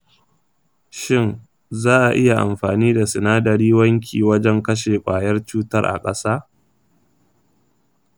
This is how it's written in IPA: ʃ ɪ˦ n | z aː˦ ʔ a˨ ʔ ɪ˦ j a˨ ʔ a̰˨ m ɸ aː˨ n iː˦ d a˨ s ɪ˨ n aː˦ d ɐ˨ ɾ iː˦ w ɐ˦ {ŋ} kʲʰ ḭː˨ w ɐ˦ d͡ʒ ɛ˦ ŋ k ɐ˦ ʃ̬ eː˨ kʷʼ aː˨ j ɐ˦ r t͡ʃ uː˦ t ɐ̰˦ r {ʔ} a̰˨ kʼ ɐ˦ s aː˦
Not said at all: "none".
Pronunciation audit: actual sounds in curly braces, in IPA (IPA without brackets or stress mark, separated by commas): ŋ, ʔ